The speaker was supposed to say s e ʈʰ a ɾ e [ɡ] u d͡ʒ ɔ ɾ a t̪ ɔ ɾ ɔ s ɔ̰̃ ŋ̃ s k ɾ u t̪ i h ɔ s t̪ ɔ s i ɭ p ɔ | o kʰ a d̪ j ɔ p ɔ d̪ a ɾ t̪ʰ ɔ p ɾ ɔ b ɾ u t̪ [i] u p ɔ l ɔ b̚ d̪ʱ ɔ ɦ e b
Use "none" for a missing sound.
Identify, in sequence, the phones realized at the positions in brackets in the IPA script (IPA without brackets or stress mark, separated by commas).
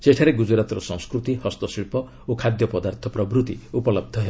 ɡ, i